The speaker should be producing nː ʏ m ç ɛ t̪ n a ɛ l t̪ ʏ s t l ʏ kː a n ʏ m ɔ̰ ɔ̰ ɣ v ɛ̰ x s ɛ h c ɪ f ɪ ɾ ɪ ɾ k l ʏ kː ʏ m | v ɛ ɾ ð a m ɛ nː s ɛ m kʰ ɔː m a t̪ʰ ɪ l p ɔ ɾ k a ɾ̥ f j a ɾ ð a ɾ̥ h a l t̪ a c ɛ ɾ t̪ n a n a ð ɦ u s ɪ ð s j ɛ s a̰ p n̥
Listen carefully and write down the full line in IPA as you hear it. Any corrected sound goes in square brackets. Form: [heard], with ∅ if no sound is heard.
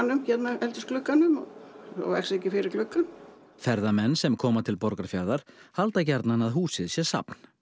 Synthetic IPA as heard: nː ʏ m ç ɛ t̪ n a ɛ l t̪ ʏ s [k] l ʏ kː a n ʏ m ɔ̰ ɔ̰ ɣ v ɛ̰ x s ɛ h c ɪ f ɪ ɾ ɪ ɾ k l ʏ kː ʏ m | [f] ɛ ɾ ð a m ɛ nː s ɛ m kʰ ɔː m a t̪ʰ ɪ l p ɔ ɾ k a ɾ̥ f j a ɾ ð a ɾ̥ h a l t̪ a c ɛ ɾ t̪ n a n a ð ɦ [uː] s ɪ ð s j ɛ s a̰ p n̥